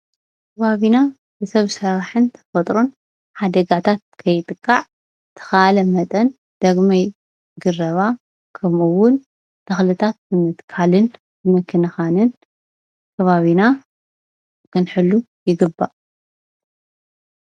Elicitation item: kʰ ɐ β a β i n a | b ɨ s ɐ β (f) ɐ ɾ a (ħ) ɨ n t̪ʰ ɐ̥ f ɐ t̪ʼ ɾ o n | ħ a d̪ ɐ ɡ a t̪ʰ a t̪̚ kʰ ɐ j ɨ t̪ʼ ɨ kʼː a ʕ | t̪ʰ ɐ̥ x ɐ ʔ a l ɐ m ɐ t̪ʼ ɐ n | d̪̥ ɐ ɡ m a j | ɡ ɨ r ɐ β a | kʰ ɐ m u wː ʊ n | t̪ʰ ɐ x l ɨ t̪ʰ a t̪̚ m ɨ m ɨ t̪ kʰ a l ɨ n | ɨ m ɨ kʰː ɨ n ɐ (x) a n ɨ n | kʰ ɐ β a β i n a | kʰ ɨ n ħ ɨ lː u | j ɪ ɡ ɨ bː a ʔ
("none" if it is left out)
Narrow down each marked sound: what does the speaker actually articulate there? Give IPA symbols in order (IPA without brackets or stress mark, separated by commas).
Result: s, ħ, x